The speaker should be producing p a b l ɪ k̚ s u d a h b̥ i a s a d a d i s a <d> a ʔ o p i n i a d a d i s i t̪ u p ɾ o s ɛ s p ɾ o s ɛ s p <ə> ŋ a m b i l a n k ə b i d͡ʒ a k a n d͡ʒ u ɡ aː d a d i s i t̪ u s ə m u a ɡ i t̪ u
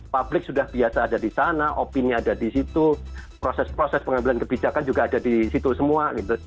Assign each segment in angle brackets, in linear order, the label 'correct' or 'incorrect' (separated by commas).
incorrect, correct